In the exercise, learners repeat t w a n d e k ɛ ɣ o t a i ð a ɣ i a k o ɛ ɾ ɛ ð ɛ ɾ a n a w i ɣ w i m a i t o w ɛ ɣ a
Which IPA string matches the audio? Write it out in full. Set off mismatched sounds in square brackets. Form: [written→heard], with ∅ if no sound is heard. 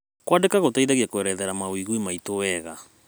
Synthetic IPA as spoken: [t→k] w a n d e k [ɛ→a] ɣ o t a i ð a ɣ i a k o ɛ ɾ ɛ ð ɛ ɾ a [n→m] a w i ɣ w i m a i t o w ɛ ɣ a